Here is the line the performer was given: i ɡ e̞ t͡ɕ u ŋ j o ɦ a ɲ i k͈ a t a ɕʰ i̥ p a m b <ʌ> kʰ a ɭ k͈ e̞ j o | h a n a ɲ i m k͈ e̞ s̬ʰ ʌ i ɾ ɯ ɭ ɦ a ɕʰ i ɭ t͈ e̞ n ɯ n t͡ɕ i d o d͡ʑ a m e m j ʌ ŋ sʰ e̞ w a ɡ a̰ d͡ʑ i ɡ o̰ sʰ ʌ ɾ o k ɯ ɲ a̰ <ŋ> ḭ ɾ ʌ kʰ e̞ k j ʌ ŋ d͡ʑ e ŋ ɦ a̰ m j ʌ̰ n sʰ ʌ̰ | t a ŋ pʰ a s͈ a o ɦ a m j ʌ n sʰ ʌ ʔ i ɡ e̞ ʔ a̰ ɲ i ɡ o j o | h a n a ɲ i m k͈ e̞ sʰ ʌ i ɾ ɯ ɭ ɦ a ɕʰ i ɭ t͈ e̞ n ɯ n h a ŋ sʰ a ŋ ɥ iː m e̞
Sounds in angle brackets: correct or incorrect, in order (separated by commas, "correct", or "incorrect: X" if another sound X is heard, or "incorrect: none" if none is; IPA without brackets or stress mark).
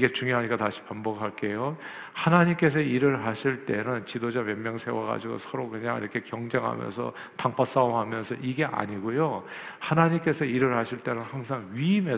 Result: correct, correct